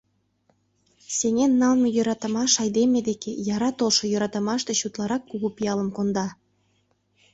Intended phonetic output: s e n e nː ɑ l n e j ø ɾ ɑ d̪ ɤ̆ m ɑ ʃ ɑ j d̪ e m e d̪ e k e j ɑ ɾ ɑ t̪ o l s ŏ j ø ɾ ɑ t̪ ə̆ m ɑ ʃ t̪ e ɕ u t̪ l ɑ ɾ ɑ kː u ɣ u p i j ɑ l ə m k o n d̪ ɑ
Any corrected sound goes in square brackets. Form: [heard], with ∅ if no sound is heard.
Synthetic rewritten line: s e [ŋ] e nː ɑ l [m] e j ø ɾ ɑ [t̪] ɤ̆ m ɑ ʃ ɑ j d̪ e m e d̪ e k e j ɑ ɾ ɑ t̪ o l [ʃ] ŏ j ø ɾ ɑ t̪ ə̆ m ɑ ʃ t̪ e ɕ u t̪ l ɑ ɾ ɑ kː u ɣ u p i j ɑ l ə m k o n d̪ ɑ